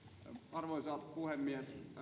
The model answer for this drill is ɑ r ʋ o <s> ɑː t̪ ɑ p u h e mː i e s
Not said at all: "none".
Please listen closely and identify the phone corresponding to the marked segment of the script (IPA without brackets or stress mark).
s